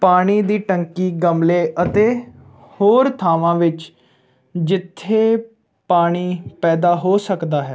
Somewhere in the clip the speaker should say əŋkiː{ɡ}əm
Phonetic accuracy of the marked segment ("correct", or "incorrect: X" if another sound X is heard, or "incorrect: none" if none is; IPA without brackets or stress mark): correct